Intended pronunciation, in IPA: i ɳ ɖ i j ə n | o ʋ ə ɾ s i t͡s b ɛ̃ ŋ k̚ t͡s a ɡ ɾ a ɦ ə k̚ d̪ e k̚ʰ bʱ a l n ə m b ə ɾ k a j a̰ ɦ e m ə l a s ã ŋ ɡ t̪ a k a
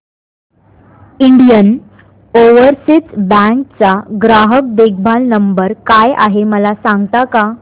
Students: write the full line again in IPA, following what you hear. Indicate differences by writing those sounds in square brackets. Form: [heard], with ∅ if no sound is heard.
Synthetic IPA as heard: i ɳ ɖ i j ə n | o ʋ ə ɾ s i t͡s b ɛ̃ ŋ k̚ t͡s a ɡ ɾ a ɦ ə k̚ d̪ e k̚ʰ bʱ a l n ə m b ə ɾ k a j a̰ ɦ e m ə l a s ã ŋ ɡ t̪ a k a